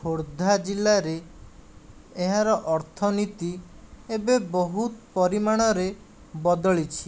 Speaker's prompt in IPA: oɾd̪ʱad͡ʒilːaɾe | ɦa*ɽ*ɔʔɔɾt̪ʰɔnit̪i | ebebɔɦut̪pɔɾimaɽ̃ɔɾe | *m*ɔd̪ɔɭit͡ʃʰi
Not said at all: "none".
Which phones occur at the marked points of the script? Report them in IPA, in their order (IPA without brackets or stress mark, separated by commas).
ɾ, b